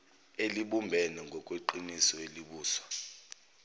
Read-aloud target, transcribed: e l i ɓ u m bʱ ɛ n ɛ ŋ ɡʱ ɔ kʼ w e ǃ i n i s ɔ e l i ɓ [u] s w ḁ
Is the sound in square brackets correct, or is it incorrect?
incorrect